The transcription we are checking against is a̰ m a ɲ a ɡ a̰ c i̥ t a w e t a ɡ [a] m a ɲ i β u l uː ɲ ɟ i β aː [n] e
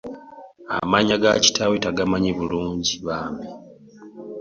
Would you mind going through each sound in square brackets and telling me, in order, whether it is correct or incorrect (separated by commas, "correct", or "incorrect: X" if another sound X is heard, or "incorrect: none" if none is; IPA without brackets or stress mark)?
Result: correct, incorrect: m